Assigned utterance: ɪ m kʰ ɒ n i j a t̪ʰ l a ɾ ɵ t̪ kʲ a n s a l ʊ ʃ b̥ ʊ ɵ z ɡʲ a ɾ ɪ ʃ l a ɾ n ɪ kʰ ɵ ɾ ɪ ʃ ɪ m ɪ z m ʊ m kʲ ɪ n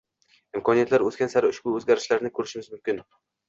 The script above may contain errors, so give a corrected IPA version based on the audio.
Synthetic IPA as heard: ɪ m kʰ ɒ n i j a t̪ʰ l a ɾ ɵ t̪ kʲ a n s a ɾ ʊ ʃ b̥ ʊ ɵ z ɡʲ a ɾ ɪ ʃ l a ɾ n ɪ kʰ ɵ ɾ ɪ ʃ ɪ m ɪ z m ʊ m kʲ ɪ n